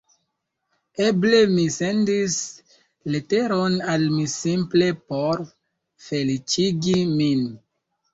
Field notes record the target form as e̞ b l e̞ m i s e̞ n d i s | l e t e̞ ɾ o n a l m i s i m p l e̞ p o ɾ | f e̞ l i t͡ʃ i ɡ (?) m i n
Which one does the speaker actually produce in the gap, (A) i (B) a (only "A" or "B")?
A